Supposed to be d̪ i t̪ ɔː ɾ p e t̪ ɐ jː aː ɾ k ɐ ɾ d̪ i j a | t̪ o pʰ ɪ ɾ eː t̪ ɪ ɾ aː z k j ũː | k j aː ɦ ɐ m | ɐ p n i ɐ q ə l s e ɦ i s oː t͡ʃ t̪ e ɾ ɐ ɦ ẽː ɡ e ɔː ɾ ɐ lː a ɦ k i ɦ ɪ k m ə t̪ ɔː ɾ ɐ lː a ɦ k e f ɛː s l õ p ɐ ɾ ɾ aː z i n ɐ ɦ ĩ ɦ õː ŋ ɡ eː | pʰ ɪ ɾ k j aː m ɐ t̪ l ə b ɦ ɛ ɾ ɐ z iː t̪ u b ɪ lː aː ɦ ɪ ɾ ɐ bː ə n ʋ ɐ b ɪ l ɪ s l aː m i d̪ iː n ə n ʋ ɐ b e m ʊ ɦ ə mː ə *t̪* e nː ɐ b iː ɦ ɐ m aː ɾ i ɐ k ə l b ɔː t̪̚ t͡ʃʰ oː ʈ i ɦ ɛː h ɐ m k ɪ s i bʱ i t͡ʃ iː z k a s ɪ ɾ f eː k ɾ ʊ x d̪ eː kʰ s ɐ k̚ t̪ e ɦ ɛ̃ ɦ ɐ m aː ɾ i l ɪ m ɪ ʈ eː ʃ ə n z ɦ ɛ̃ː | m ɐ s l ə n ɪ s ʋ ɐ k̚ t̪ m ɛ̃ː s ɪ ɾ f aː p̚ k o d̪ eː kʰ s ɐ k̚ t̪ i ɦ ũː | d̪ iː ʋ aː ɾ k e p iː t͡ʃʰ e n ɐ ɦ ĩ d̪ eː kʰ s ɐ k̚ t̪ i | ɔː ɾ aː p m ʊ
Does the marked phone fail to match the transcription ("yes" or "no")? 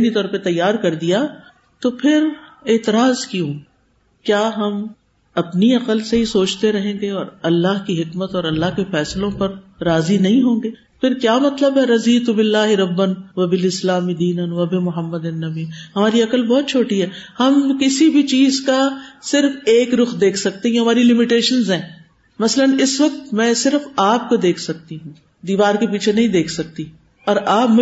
yes